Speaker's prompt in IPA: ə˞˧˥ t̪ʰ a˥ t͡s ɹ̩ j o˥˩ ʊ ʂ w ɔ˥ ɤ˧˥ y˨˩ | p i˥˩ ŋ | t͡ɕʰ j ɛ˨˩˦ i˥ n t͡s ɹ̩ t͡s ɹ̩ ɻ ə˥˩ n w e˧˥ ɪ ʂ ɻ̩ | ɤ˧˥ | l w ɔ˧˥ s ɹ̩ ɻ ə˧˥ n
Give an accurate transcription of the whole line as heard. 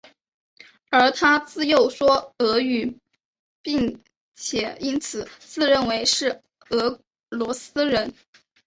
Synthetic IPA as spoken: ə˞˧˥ t̪ʰ a˥ t͡s ɹ̩ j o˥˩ ʊ ʂ w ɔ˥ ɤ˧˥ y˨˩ | p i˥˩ ŋ | t͡ɕʰ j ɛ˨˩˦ i˥ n t͡sʰ ɹ̩ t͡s ɹ̩ ɻ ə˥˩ n w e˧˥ ɪ ʂ ɻ̩ | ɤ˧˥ | l w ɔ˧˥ s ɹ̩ ɻ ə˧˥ n